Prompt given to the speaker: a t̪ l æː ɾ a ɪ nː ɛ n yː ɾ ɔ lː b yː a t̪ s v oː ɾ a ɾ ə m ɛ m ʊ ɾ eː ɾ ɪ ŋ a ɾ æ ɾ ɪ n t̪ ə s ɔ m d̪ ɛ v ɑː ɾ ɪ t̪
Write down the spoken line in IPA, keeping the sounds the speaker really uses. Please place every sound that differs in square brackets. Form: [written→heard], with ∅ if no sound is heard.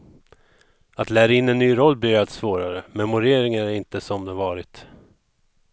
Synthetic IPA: a t̪ l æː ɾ a ɪ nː ɛ [n→nː] yː ɾ ɔ lː b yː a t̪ s v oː ɾ a ɾ ə m ɛ m ʊ ɾ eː ɾ ɪ ŋ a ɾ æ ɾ ɪ n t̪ ə s ɔ m d̪ ɛ v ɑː ɾ ɪ t̪